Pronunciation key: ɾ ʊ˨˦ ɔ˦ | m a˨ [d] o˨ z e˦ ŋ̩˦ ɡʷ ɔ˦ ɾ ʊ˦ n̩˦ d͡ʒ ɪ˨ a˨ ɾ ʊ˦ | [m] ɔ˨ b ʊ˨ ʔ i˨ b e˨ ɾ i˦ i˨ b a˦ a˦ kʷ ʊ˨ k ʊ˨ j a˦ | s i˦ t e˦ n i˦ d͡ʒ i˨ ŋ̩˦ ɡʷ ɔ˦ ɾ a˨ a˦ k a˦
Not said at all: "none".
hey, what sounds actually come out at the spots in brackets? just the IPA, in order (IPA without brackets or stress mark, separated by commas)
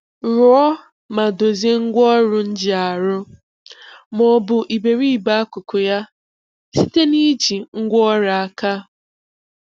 d, m